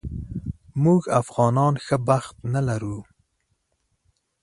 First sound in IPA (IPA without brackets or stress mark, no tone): m